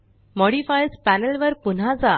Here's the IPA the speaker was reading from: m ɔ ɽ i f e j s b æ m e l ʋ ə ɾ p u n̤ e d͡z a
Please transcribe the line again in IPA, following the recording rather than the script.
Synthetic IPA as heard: m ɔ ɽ i f a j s p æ n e l ʋ ə ɾ p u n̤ a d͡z a